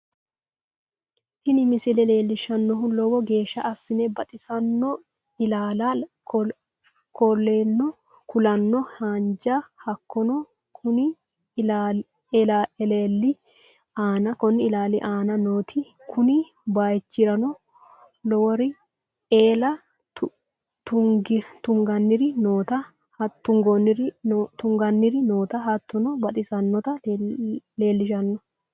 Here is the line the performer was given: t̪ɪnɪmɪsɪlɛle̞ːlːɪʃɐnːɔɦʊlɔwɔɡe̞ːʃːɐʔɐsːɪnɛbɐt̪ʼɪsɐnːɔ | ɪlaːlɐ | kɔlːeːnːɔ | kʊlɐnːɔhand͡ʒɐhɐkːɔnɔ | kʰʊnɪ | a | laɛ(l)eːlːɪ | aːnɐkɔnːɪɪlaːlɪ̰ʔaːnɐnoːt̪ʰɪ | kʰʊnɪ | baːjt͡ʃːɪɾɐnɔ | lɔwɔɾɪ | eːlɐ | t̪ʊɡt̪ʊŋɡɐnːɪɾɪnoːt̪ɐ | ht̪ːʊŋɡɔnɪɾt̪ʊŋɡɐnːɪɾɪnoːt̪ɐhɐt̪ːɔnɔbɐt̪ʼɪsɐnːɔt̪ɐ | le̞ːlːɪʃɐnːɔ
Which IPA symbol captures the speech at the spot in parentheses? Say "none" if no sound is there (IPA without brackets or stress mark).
l